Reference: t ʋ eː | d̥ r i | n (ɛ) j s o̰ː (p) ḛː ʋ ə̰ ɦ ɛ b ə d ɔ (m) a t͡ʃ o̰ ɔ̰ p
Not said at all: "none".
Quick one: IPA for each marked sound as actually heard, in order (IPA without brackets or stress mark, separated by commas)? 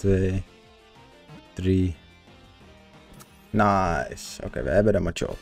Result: a, k, m